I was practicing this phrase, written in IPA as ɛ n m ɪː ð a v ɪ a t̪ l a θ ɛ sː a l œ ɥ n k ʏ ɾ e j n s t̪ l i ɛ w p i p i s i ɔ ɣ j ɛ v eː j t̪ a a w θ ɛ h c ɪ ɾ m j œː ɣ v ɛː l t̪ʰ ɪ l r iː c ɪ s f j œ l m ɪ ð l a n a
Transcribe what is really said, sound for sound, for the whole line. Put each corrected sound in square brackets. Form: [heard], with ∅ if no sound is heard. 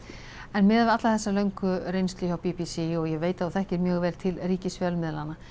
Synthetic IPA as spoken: ɛ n m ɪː ð a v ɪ a t̪ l a θ ɛ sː a l œ ɥ [ŋ] k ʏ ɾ e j n s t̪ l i [a] w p i p i s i ɔ ɣ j ɛ v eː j t̪ a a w θ ɛ h c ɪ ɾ m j œː ɣ v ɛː l t̪ʰ ɪ l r iː c ɪ s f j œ l m ɪ ð l a n a